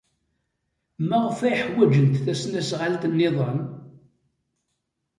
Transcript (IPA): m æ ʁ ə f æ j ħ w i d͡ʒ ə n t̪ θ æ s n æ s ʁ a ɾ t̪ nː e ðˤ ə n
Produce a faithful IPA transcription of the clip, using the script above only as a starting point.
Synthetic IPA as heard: m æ ʁ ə f æ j ħ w æ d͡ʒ ə n t̪ θ æ s n æ s ʁ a l t̪ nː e ðˤ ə n